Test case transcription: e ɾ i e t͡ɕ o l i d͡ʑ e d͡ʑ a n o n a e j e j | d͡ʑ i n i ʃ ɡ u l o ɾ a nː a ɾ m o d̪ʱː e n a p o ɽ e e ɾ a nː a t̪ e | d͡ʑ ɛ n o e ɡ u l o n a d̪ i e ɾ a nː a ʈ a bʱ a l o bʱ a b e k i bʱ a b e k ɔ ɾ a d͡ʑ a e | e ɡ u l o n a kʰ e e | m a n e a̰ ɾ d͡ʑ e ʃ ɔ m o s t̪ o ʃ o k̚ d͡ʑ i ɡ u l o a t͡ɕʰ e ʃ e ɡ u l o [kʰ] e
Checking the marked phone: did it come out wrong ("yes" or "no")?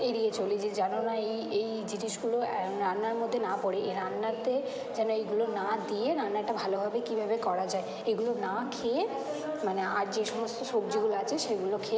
no